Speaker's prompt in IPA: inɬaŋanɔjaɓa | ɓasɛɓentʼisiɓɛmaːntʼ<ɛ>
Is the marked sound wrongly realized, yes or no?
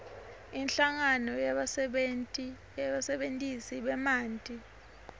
yes